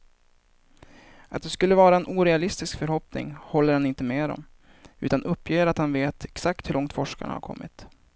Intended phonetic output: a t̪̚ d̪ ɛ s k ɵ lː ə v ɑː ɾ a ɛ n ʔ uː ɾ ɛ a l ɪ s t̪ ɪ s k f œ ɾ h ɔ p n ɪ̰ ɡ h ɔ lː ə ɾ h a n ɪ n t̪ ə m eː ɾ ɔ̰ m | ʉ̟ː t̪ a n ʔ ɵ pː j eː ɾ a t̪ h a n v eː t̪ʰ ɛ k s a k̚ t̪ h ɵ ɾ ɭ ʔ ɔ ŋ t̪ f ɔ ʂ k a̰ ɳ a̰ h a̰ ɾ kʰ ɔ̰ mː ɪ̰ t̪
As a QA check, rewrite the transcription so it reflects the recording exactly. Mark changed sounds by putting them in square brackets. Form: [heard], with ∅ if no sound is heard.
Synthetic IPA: a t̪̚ d̪ ɛ s k ɵ lː ə v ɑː ɾ a ɛ n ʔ uː ɾ ɛ a l ɪ s t̪ ɪ s k f œ ɾ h ɔ p n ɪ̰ [ŋ] h ɔ lː ə ɾ h a n ɪ n t̪ ə m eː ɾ ɔ̰ m | ʉ̟ː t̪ a n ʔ ɵ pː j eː ɾ a t̪ h a n v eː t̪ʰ ɛ k s a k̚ t̪ h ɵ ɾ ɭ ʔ ɔ ŋ t̪ f ɔ ʂ k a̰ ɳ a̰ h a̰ ɾ kʰ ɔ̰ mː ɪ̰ t̪